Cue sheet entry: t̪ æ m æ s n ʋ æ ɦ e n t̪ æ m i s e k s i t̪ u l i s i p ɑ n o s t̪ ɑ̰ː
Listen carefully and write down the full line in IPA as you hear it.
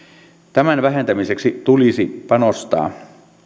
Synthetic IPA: t̪ æ m æ n ʋ æ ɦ e n t̪ æ m i s e k s i t̪ u l i s i p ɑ n o s t̪ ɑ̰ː